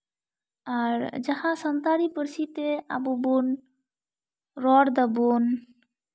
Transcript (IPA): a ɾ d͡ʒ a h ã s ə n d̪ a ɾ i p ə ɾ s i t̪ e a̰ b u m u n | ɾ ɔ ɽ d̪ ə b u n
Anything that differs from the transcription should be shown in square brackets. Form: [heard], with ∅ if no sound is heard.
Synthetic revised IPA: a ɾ d͡ʒ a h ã s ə n [t̪] a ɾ i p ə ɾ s i t̪ e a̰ b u [b] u n | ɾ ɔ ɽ d̪ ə b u n